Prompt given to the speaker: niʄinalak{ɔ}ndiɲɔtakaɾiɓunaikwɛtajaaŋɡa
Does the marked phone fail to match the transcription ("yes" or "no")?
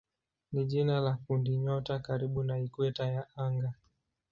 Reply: yes